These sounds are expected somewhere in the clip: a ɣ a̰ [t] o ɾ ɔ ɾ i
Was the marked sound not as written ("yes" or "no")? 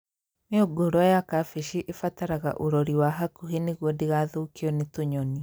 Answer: yes